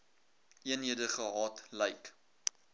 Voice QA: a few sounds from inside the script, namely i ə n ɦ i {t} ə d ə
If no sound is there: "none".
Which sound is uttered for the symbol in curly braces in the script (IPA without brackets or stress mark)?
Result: none